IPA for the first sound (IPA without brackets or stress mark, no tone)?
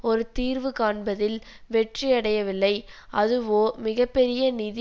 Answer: ɔ